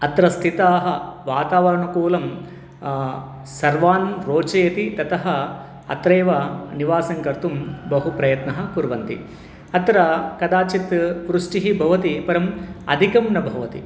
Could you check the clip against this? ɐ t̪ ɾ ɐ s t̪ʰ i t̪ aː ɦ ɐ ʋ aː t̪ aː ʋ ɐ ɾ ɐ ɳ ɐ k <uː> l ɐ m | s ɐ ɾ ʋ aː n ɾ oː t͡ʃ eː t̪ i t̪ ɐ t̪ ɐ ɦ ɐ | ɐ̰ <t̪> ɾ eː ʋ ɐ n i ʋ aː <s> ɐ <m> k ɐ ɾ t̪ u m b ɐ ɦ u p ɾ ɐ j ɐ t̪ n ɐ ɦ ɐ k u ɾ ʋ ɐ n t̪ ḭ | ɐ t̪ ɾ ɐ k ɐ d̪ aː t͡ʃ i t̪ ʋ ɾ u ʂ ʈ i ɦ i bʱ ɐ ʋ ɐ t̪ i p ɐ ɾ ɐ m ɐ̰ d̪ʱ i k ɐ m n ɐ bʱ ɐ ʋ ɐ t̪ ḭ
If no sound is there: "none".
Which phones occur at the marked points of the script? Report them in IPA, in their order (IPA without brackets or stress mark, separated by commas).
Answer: uː, t̪, s, ŋ